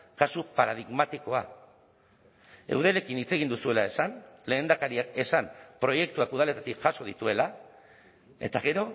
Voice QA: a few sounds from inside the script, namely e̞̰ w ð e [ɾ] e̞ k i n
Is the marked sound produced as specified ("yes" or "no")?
no